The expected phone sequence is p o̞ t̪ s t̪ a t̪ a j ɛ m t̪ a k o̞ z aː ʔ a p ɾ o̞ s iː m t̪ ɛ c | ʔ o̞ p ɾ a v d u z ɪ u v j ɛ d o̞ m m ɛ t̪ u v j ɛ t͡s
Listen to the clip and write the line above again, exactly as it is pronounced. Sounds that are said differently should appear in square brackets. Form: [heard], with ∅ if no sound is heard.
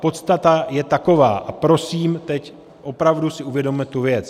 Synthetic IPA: p o̞ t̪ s t̪ a t̪ a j ɛ [∅] t̪ a k o̞ [v] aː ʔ a p ɾ o̞ s iː m t̪ ɛ c | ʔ o̞ p ɾ a v d u [s] ɪ u v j ɛ d o̞ m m ɛ t̪ u v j ɛ t͡s